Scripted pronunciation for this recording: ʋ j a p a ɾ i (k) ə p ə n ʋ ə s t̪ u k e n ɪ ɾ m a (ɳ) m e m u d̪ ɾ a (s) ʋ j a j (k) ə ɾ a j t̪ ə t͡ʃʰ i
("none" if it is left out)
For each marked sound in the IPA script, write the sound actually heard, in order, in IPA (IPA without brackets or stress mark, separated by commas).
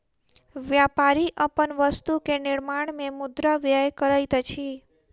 ʔ, ɳ, none, k